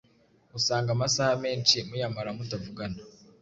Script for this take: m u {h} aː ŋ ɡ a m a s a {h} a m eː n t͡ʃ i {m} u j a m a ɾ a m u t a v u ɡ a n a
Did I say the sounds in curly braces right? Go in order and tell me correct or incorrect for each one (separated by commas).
incorrect, correct, correct